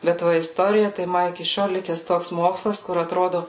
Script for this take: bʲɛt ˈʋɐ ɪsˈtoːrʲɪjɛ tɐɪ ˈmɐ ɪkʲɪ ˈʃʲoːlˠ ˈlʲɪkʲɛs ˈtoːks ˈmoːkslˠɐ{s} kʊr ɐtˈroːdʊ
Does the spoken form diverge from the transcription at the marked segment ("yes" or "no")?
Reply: no